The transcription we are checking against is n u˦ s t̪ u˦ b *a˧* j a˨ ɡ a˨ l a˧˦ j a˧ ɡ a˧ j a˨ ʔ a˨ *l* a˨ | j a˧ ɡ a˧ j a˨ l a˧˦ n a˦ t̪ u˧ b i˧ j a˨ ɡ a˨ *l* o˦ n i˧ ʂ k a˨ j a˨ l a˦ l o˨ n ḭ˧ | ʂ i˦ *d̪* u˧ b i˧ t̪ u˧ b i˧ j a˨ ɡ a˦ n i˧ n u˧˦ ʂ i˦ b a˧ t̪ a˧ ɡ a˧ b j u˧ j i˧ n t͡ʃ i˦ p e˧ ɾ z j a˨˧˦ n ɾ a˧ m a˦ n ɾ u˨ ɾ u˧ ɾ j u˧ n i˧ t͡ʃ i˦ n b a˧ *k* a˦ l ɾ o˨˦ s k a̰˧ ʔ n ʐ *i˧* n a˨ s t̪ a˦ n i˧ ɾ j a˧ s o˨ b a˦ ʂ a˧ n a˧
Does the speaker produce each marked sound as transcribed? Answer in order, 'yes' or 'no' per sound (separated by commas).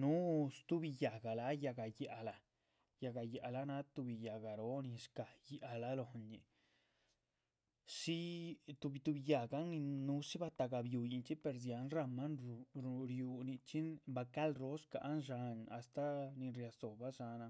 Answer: no, yes, no, no, yes, no